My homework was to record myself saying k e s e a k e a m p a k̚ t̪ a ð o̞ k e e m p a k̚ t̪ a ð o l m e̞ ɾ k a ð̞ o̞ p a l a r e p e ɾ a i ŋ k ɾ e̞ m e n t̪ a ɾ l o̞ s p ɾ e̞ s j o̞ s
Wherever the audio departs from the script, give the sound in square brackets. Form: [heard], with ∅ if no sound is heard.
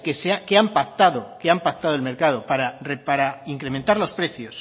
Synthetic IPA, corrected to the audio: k e s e a k e a m p a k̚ t̪ a ð o̞ k e [a] m p a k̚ t̪ a ð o l m e̞ ɾ k a ð̞ o̞ p a [ɾ] a r e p [a] ɾ a i ŋ k ɾ e̞ m e n t̪ a ɾ l o̞ s p ɾ e̞ [θ] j o̞ s